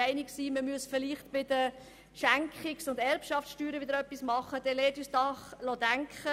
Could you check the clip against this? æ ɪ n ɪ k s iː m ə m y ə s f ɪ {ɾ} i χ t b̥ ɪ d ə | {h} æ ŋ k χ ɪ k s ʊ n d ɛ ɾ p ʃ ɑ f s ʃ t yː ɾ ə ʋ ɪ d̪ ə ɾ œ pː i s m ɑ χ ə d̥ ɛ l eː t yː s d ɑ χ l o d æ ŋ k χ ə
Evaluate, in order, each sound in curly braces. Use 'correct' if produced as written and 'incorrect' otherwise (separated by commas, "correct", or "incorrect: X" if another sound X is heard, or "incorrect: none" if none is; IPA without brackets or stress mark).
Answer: incorrect: l, incorrect: ʃ